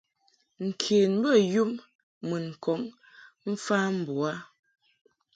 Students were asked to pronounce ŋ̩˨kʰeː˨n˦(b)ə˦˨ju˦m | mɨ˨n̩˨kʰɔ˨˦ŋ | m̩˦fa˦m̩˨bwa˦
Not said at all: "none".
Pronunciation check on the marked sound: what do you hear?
b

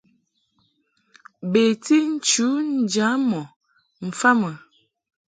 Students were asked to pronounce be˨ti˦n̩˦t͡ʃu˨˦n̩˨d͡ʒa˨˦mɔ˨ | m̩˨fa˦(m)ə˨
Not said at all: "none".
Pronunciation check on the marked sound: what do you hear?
m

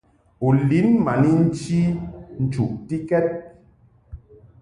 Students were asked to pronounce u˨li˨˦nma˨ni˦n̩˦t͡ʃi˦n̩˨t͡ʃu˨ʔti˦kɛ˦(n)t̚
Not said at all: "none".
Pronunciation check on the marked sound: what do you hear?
none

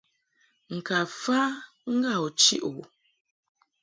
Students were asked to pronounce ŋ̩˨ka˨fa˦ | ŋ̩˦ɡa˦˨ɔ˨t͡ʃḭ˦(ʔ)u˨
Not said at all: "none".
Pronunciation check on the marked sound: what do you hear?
ʔ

